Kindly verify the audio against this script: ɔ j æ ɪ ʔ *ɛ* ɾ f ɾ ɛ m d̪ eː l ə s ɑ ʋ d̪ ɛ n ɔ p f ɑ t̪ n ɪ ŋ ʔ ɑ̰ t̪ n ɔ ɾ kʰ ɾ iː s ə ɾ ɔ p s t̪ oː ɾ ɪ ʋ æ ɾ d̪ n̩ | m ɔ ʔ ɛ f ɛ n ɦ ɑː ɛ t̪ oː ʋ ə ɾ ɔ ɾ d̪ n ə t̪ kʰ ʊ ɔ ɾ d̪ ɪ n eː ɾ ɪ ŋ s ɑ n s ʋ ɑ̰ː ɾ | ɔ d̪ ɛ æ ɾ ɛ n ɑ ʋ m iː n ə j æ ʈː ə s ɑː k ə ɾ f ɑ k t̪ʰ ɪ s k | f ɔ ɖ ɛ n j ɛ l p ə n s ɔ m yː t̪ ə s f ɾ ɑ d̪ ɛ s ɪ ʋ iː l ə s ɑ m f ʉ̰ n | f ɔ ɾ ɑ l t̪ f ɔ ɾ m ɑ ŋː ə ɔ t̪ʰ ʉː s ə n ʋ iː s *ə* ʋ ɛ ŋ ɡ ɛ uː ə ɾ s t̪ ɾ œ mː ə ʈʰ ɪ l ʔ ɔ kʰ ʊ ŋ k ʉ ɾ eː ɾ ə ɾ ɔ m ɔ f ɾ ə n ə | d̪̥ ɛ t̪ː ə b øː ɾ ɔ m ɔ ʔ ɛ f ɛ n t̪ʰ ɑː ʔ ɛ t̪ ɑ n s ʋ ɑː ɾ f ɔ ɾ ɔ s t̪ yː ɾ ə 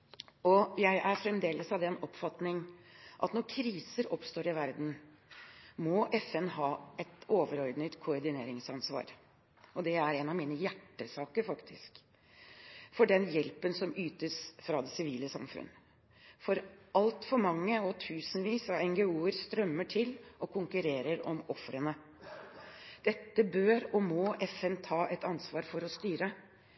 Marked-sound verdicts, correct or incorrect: incorrect, incorrect

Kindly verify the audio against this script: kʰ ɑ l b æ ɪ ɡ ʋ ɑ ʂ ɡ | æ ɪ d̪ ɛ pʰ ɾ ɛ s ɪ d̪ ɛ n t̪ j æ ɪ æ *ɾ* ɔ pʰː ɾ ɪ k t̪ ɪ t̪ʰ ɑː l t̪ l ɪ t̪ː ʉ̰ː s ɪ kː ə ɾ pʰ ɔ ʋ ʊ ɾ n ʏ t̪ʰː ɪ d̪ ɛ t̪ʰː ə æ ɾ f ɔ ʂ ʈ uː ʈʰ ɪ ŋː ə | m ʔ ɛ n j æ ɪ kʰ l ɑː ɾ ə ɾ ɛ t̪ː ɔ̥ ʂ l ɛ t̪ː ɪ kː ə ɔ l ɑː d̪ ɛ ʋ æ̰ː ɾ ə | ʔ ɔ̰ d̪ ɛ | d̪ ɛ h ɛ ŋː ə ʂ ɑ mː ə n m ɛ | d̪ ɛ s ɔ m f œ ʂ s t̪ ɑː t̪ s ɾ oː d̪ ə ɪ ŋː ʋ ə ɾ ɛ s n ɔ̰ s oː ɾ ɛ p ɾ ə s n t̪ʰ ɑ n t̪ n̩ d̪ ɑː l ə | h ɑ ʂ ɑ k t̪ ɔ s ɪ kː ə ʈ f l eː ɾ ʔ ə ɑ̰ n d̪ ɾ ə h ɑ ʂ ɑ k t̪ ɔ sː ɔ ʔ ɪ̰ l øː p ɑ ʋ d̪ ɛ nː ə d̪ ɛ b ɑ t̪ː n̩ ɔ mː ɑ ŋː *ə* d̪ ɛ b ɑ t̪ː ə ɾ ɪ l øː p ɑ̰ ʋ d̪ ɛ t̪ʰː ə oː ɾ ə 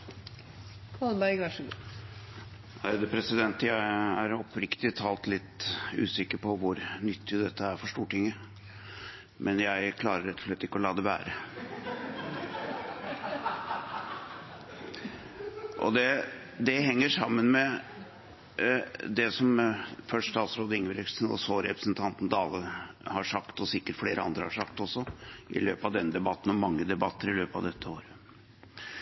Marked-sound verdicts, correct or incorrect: correct, correct

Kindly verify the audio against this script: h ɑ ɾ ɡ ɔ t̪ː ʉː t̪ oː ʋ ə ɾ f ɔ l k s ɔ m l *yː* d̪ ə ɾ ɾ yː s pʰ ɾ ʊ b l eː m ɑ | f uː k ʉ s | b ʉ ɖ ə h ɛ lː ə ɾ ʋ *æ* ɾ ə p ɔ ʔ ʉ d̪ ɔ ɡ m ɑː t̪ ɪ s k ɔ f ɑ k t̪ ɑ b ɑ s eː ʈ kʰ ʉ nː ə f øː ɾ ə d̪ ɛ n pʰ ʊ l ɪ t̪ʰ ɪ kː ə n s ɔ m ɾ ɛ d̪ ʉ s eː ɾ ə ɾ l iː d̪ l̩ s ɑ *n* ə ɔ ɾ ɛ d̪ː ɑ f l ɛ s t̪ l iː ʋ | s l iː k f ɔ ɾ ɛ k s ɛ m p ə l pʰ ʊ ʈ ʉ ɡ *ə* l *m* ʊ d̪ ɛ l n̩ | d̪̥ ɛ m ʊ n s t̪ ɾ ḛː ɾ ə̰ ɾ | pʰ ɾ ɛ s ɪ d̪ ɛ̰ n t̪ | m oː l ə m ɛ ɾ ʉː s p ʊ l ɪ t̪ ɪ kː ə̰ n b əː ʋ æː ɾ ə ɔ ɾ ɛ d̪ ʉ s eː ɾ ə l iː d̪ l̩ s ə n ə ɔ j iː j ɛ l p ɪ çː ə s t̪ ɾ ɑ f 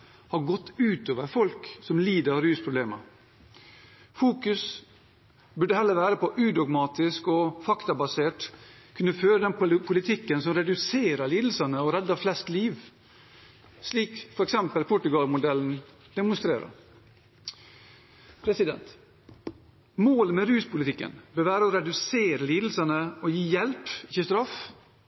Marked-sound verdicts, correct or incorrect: incorrect, incorrect, correct, incorrect, correct

